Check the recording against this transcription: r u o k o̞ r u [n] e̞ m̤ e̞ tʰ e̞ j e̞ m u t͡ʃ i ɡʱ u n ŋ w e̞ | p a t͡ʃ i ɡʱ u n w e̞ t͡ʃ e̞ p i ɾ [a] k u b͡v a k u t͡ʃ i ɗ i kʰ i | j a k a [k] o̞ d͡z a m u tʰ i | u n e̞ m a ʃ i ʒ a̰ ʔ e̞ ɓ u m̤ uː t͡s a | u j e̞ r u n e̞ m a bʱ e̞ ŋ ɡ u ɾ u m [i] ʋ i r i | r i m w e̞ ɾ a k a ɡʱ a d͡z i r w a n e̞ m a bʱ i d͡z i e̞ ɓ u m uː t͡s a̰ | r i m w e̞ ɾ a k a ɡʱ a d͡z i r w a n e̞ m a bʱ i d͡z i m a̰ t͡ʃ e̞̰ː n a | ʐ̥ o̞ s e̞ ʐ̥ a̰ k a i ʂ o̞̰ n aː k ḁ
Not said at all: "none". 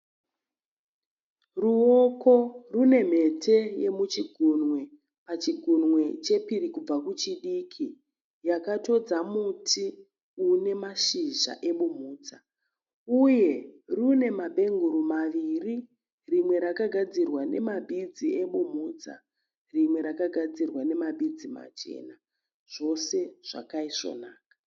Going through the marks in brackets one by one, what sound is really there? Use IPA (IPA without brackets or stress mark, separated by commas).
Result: n, i, t, a